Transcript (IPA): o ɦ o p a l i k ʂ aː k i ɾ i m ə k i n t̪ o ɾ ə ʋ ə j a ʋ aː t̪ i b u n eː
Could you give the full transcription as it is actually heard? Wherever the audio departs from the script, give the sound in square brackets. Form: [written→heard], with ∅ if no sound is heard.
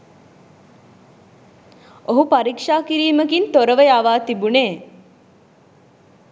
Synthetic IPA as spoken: o ɦ [o→u] p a [l→ɾ] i k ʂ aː k i ɾ [i→iː] m ə k i n t̪ o ɾ ə ʋ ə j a ʋ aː t̪ i b u n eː